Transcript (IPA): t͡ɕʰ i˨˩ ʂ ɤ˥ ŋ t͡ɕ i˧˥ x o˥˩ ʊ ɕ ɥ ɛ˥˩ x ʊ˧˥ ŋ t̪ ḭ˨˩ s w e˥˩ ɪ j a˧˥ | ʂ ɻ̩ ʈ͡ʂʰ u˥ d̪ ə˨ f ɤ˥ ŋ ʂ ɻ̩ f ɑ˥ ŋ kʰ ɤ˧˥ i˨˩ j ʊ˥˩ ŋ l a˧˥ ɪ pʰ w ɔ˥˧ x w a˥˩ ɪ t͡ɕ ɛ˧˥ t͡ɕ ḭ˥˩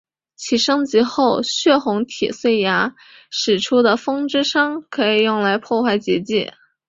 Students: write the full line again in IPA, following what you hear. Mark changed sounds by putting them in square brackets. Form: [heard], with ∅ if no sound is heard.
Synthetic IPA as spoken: t͡ɕʰ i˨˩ ʂ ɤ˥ ŋ t͡ɕ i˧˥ x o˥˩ ʊ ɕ ɥ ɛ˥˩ x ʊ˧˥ ŋ [t̪ʰ] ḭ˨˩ s w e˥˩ ɪ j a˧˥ | ʂ ɻ̩ ʈ͡ʂʰ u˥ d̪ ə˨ f ɤ˥ ŋ [ʈ͡ʂ] ɻ̩ [ʂ] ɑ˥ ŋ kʰ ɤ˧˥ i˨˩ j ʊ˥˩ ŋ l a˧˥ ɪ pʰ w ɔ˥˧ x w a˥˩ ɪ t͡ɕ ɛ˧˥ t͡ɕ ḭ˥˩